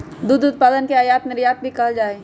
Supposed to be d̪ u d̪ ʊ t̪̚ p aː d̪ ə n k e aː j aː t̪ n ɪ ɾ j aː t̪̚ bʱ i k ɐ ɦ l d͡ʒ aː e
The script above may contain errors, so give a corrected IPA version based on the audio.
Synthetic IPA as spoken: d̪ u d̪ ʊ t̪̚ p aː d̪ ə n k e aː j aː t̪ n ɪ ɾ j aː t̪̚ bʱ i k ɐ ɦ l d͡ʒ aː e